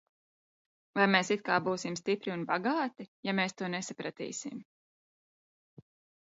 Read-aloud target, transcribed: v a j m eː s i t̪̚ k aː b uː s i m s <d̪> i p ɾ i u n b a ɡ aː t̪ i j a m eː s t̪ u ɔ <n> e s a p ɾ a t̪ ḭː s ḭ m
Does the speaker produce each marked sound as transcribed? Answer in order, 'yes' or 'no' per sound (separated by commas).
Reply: no, yes